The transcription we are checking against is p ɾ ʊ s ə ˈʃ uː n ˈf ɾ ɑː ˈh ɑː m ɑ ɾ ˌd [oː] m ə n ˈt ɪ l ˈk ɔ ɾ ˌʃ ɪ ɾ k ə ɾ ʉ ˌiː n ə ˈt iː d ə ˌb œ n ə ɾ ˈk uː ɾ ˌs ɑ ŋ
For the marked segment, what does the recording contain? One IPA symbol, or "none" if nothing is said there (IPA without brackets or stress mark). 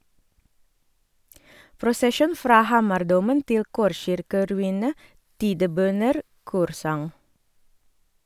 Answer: uː